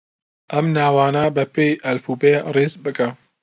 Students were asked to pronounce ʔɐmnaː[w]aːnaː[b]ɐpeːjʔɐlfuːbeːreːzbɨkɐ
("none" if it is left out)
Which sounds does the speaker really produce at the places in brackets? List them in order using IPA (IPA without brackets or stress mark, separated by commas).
w, b